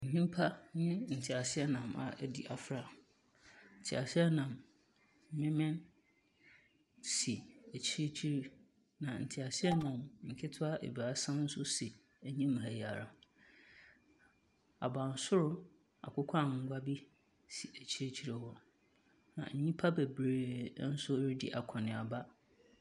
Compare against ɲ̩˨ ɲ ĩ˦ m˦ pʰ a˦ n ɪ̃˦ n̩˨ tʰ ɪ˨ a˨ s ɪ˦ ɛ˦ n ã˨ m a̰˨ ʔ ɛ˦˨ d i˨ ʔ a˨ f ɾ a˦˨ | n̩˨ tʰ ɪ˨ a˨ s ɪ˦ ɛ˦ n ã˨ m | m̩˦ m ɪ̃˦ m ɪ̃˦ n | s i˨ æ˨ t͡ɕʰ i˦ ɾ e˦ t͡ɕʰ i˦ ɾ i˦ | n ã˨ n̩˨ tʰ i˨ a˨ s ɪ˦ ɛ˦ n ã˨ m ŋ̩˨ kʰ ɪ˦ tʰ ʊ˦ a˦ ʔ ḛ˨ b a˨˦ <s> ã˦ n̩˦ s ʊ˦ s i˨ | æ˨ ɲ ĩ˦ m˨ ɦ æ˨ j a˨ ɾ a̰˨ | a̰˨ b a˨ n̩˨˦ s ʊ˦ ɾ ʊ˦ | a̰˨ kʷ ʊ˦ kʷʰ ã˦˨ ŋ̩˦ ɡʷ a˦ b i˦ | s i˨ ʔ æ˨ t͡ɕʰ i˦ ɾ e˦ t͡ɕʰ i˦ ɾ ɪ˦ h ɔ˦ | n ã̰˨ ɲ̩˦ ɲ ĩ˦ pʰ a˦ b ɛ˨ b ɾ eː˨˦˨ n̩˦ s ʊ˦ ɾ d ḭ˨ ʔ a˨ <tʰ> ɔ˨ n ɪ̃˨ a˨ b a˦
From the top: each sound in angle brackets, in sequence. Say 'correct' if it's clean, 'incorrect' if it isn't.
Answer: correct, incorrect: kʰ

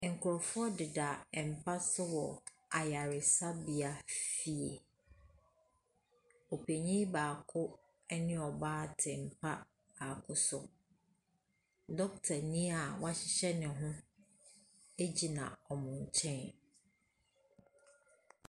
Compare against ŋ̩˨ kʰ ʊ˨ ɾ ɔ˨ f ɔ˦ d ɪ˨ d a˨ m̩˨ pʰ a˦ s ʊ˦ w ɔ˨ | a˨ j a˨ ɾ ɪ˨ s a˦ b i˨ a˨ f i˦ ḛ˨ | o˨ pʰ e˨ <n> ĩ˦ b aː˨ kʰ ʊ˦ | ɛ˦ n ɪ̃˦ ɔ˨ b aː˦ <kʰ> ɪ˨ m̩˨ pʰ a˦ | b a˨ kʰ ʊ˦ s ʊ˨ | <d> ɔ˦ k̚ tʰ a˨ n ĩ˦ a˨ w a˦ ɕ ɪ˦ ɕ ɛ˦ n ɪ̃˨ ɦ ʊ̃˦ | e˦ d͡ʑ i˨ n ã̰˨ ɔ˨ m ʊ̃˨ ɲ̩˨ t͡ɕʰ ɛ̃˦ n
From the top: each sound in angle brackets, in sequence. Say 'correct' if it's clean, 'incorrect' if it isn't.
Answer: incorrect: ɲ, incorrect: tʰ, correct

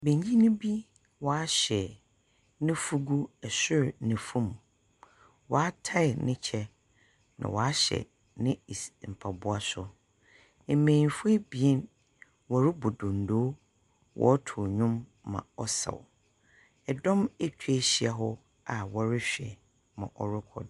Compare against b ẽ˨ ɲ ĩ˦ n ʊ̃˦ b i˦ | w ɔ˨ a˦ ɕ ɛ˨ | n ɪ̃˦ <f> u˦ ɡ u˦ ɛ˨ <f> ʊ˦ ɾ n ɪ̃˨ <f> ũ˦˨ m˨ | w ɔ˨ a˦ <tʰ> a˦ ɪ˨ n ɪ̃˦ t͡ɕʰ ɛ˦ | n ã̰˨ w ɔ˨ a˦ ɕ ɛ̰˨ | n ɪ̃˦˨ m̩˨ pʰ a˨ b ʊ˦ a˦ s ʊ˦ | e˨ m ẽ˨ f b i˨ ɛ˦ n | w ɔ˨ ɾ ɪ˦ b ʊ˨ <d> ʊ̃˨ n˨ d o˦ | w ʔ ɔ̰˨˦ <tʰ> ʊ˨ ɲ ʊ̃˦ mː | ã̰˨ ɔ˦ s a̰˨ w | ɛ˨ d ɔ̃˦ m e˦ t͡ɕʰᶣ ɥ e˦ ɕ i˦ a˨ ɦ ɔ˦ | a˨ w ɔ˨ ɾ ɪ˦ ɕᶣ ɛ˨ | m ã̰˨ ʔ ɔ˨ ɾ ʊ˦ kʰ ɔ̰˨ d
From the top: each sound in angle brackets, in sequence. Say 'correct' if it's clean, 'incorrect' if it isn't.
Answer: correct, incorrect: s, correct, correct, correct, correct

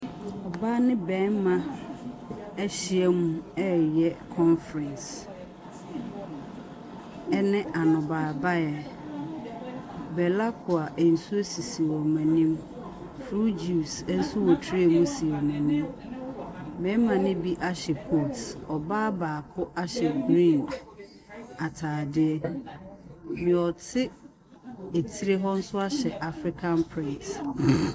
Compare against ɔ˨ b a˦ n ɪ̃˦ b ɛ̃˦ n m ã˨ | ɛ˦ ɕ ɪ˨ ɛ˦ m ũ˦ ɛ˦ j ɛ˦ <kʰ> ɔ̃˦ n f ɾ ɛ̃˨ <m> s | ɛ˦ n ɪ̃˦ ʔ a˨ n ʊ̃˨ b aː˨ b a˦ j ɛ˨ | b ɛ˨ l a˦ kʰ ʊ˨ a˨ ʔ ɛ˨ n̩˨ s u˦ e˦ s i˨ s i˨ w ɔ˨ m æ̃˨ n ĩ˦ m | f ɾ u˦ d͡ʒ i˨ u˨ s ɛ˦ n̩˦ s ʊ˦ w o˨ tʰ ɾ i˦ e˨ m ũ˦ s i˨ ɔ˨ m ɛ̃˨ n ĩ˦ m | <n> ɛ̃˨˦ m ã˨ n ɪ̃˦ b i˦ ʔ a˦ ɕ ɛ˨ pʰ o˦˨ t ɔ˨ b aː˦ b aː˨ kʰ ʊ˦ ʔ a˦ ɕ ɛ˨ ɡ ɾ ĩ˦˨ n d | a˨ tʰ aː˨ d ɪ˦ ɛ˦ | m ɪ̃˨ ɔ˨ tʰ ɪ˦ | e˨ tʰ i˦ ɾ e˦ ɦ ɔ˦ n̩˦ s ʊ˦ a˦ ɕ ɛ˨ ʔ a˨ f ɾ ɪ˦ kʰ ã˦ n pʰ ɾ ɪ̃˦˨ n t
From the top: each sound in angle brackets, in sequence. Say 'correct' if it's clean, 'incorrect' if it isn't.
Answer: correct, incorrect: n, incorrect: m

